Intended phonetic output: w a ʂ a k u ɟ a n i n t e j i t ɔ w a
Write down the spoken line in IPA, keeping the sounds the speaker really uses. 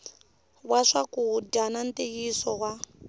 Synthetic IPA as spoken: w a ʂ a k u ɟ a n a n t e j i s ɔ w a

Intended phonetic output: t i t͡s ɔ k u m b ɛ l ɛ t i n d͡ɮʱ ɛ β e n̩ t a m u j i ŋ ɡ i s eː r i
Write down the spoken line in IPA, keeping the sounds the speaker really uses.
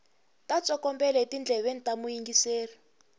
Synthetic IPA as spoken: t a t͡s ɔ k ɔ m b ɛ l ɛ t i n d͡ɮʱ ɛ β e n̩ t a m u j i ŋ ɡ i s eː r i

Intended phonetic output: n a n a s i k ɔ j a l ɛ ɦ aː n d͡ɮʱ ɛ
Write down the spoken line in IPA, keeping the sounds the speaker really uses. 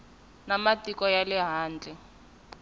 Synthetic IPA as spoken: n a m a t i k ɔ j a l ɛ ɦ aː n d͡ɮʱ ɛ

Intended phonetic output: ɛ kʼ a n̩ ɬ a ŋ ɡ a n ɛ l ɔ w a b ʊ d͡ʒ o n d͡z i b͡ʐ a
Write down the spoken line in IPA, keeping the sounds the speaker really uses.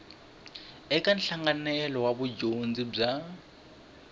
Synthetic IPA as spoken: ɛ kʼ a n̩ ɬ a ŋ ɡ a n ɛ l ɔ w a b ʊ d͡ʒ o n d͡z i b͡ʐ a

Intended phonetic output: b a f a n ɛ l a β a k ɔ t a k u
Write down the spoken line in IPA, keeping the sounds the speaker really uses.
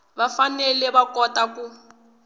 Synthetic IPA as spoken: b a f a n ɛ l ɛ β a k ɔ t a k u

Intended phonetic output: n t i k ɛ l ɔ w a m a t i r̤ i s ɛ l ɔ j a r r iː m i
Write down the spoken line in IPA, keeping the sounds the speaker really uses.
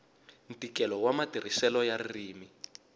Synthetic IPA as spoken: n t i k ɛ l ɔ w a m a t i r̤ i s ɛ l ɔ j a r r iː m i

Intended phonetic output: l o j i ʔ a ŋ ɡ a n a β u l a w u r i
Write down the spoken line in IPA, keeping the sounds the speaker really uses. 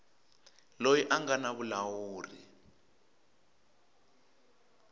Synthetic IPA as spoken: l o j i ʔ a ŋ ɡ a n a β u l a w uː r i

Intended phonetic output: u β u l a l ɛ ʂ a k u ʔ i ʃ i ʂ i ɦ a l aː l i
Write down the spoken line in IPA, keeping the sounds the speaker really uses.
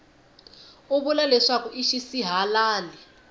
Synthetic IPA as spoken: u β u l a l ɛ ʂ a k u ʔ i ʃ i s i ɦ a l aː l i

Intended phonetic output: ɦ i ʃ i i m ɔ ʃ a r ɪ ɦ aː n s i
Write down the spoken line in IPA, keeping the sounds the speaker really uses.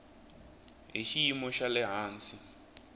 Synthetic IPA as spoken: ɦ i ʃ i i m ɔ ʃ a l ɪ ɦ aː n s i

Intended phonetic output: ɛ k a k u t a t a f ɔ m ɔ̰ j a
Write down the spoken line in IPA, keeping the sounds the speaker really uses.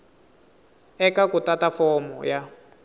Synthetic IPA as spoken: ɛ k a k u t a t a f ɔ m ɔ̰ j a

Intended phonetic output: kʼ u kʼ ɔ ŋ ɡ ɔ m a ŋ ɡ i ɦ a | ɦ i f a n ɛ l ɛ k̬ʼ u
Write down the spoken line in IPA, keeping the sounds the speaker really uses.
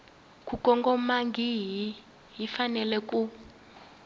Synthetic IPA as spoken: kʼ u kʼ ɔ ŋ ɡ ɔ m a ŋ ɡ i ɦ i | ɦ i f a n ɛ l ɛ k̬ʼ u

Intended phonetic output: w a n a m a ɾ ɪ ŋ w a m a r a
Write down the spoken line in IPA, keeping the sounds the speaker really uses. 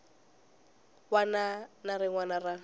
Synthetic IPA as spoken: w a n a n a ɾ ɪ ŋ w a n a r a

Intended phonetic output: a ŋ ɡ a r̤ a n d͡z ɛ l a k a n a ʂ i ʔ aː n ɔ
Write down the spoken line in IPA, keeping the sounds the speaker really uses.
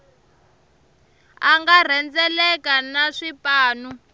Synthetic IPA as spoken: a ŋ ɡ a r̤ ɛ n d͡z ɛ l ɛ k a n a ʂ i p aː n u

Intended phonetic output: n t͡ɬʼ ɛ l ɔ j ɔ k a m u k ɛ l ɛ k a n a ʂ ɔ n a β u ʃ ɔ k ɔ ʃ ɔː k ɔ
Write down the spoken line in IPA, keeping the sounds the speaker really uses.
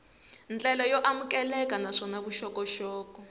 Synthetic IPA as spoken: n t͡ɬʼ ɛ l ɔ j ɔ ʔ a m u k ɛ l ɛ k a n a ʂ ɔ n a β u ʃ ɔ k ɔ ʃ ɔː k ɔ

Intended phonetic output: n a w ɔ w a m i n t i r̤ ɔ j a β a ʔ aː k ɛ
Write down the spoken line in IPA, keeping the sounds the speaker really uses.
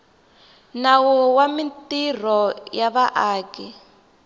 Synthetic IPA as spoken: n a w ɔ w a m i n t i r̤ ɔ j a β a ʔ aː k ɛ

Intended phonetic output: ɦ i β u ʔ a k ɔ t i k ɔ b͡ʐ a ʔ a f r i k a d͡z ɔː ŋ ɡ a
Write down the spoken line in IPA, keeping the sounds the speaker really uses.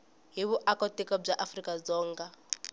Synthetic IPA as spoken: ɦ i β u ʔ a k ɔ t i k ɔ b͡ʐ a ʔ a f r i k a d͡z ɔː ŋ ɡ a

